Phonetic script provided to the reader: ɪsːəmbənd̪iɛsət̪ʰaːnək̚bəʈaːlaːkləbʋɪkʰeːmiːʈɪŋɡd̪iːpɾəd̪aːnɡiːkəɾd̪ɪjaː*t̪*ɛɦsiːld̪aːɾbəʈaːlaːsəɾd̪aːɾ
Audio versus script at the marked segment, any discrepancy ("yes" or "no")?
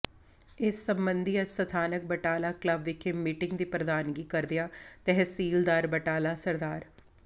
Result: no